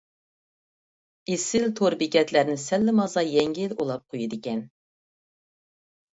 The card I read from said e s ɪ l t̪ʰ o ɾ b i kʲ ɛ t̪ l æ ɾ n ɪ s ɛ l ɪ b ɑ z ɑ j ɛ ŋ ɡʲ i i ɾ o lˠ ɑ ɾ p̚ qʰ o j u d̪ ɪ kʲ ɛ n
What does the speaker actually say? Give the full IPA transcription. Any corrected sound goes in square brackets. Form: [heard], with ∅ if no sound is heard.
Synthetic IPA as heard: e s ɪ l t̪ʰ o ɾ b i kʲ ɛ t̪ l æ ɾ n ɪ s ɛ [lː] ɪ [m] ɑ z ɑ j ɛ ŋ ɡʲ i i [l] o lˠ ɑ [∅] p̚ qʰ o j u d̪ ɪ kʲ ɛ n